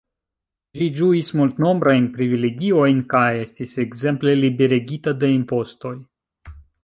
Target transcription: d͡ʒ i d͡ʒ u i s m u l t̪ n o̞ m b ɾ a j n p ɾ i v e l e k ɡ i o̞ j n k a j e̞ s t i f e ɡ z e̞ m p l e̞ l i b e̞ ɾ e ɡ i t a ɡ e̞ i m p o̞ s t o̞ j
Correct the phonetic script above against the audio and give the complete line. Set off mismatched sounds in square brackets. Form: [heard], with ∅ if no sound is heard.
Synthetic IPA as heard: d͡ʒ i d͡ʒ u i s m u l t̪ n o̞ m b ɾ a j n p ɾ i v [i] l e [∅] ɡ i o̞ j n k a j e̞ s t i [s] e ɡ z e̞ m p l e̞ l i b e̞ ɾ e ɡ i t a [d] e̞ i m p o̞ s t o̞ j